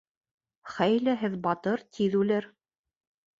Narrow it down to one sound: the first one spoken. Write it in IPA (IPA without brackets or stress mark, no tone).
χ